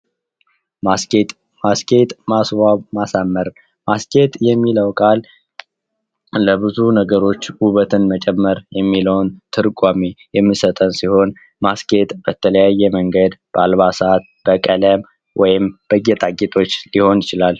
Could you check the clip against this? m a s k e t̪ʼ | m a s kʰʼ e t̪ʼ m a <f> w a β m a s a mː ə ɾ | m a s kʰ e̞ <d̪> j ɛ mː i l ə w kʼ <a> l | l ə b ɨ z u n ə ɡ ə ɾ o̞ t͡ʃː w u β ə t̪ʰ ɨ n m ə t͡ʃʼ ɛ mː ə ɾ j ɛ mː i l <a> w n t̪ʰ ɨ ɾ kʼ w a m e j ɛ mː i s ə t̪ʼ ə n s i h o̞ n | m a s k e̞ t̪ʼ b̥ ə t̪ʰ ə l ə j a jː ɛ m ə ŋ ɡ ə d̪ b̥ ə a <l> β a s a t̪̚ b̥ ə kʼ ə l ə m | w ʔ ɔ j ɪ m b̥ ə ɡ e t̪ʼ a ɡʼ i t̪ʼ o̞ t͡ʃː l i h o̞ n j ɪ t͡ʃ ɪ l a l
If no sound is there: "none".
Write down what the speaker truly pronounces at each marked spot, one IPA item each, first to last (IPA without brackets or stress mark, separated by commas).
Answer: s, t̪, a, ə, l